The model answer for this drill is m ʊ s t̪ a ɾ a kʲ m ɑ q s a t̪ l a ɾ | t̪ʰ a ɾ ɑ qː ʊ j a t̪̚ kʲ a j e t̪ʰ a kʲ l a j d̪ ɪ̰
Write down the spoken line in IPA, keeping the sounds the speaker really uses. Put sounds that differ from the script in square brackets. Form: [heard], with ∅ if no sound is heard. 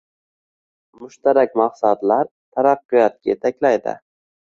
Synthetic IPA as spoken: m ʊ [ʃ] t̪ a ɾ a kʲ m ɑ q s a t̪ l a ɾ | t̪ʰ a ɾ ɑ qː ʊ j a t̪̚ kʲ a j e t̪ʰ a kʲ l a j d̪ ɪ̰